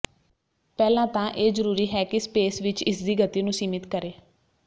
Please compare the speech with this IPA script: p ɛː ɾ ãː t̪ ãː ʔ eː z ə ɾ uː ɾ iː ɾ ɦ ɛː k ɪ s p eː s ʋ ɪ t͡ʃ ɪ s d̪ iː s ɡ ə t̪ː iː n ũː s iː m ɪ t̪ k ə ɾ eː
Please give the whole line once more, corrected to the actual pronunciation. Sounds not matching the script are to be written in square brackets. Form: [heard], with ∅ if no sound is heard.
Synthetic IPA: p ɛː [l] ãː t̪ ãː ʔ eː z ə ɾ uː ɾ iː [∅] ɦ ɛː k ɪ s p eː s ʋ ɪ t͡ʃ ɪ s d̪ iː [∅] ɡ ə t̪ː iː n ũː s iː m ɪ t̪ k ə ɾ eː